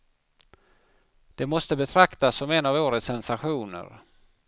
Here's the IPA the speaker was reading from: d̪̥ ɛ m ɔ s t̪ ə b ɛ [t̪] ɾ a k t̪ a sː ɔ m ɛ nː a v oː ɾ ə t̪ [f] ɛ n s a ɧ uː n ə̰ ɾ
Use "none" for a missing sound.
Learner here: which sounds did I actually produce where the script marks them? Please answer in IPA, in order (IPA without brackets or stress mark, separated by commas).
t̪ʰ, s